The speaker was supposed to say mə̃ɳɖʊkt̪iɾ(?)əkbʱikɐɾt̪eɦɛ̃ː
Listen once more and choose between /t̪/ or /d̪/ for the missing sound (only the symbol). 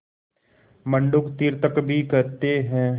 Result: t̪